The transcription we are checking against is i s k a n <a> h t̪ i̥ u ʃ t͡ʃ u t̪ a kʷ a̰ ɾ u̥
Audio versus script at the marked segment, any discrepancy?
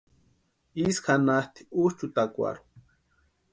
no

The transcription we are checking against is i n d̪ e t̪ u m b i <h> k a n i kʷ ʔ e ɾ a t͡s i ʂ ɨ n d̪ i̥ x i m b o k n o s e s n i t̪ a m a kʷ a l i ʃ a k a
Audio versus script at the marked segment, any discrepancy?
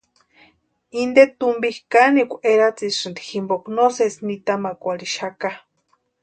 no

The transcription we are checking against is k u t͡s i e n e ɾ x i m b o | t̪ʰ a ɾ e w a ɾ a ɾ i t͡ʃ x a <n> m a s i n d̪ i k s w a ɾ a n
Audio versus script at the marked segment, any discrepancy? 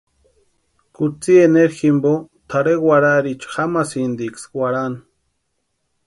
yes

